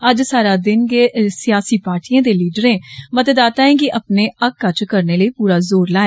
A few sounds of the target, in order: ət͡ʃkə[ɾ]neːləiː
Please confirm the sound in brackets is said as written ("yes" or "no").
yes